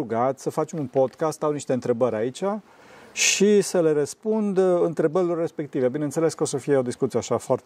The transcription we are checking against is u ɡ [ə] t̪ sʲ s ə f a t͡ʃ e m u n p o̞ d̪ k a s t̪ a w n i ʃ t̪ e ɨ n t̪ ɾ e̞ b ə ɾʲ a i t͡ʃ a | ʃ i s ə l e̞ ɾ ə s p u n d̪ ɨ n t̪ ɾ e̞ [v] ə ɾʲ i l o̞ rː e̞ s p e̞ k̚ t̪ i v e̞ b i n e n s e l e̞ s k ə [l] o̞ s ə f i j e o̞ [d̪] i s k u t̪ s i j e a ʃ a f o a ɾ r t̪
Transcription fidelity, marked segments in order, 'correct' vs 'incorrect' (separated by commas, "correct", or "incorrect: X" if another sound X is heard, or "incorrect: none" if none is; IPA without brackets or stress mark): incorrect: a, incorrect: b, incorrect: none, correct